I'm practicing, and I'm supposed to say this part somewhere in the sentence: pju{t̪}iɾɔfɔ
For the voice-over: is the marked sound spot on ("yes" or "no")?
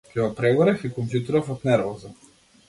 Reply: yes